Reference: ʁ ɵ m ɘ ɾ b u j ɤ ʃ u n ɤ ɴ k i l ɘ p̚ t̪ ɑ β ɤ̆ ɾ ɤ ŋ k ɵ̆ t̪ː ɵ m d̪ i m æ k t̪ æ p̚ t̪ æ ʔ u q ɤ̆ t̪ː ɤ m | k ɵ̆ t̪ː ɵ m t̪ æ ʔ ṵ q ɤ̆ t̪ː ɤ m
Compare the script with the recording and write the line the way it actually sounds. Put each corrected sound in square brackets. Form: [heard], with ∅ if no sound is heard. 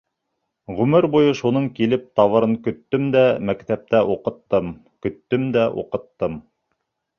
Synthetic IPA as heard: ʁ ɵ m ɘ ɾ b u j ɤ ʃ u n ɤ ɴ k i l ɘ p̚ t̪ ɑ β ɤ̆ ɾ ɤ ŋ k ɵ̆ t̪ː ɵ m d̪ [æ] m æ k t̪ æ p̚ t̪ æ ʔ u q ɤ̆ t̪ː ɤ m | k ɵ̆ t̪ː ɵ m [d̪] æ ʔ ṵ q ɤ̆ t̪ː ɤ m